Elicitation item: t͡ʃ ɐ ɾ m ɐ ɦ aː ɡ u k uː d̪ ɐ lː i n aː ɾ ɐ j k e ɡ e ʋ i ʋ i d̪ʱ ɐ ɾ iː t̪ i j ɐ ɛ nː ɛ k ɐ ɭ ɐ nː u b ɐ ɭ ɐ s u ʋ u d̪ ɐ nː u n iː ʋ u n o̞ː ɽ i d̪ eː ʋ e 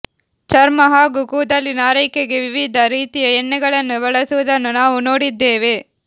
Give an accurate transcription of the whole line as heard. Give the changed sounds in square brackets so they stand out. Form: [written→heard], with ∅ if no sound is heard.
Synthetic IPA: t͡ʃ ɐ ɾ m ɐ ɦ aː ɡ u k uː d̪ ɐ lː i n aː ɾ ɐ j k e ɡ e ʋ i ʋ i d̪ʱ ɐ ɾ iː t̪ i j ɐ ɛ nː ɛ [k→ɡ] ɐ ɭ ɐ nː u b ɐ ɭ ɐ s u ʋ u d̪ ɐ nː u n [iː→aː] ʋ u n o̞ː ɽ i [d̪→d̪ː] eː ʋ e